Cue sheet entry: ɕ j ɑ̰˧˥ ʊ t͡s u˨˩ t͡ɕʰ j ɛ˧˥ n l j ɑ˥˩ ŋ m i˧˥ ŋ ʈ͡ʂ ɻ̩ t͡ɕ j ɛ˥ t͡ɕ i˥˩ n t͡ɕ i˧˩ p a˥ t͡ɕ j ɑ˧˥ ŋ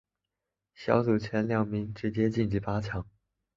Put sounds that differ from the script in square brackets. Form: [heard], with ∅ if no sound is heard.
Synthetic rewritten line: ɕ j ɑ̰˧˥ ʊ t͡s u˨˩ t͡ɕʰ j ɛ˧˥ n l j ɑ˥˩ ŋ m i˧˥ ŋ ʈ͡ʂ ɻ̩ t͡ɕ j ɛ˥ t͡ɕ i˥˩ n t͡ɕ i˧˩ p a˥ [t͡ɕʰ] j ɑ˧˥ ŋ